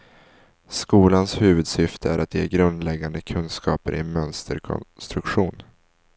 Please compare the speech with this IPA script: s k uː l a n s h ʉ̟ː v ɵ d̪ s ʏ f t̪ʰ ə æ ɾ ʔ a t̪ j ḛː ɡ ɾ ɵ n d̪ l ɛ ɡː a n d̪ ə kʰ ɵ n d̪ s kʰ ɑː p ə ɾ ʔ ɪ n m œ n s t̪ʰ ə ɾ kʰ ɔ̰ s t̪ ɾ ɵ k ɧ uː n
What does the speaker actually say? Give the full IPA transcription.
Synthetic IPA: s k uː l a n s h ʉ̟ː v ɵ d̪ s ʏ f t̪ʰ ə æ ɾ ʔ a t̪ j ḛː ɡ ɾ ɵ n d̪ l ɛ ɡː a n d̪ ə kʰ ɵ n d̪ s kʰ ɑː p ə ɾ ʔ ɪ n m œ n s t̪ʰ ə ɾ kʰ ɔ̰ s t̪ ɾ ɵ k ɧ uː n